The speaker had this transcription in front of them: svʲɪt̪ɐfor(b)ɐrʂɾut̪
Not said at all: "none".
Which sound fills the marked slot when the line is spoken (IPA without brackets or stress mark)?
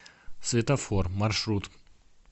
m